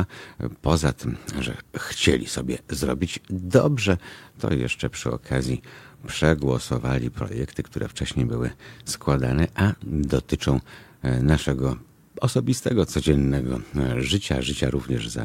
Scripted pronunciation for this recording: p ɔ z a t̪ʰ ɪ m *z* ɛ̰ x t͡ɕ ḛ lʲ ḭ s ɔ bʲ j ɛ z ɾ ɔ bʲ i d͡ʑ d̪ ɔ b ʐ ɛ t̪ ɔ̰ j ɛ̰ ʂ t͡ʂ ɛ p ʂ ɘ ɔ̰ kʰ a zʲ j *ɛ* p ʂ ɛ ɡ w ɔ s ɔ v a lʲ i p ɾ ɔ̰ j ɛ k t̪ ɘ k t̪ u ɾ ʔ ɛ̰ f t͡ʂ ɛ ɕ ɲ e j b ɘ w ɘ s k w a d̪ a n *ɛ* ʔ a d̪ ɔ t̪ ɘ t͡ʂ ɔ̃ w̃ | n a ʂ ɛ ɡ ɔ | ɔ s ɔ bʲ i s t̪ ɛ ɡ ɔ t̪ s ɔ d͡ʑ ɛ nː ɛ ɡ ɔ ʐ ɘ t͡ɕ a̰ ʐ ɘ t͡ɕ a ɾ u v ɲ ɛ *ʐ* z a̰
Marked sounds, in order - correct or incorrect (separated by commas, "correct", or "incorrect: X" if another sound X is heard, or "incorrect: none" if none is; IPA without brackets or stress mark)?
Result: incorrect: ʐ, incorrect: i, correct, correct